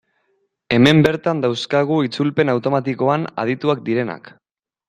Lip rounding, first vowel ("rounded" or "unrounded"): unrounded